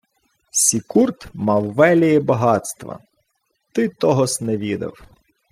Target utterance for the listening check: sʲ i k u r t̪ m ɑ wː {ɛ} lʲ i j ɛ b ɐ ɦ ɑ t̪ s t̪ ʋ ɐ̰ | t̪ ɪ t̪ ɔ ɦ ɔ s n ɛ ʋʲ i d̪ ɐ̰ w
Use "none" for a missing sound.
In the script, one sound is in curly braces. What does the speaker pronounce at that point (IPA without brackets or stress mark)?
ɛ